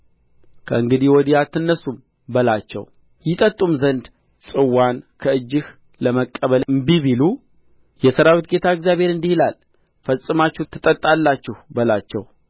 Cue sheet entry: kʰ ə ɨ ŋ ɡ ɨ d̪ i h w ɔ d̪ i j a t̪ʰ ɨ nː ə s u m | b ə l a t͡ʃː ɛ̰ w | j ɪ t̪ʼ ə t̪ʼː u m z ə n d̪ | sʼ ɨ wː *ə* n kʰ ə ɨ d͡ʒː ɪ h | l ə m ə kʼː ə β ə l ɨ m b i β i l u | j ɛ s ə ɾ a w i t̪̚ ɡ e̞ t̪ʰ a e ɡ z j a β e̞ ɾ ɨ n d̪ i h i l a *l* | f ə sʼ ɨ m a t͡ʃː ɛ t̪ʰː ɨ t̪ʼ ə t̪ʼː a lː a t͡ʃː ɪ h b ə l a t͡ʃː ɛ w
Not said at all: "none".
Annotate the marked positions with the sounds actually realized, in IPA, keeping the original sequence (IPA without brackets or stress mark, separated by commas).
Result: a, l